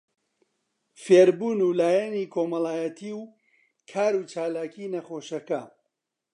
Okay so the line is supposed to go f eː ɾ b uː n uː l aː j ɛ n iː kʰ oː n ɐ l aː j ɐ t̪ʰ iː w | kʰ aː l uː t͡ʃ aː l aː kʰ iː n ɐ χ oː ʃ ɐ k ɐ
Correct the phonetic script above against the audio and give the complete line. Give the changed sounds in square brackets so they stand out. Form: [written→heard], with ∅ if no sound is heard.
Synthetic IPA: f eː ɾ b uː n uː l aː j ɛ n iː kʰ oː [n→m] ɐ l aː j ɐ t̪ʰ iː w | kʰ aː [l→ɾ] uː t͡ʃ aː l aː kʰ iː n ɐ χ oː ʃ ɐ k ɐ